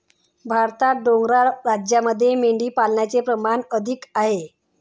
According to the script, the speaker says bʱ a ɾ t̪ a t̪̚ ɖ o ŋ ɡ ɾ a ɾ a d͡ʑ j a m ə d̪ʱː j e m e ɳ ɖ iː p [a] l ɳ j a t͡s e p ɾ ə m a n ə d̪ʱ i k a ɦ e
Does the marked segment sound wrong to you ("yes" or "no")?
no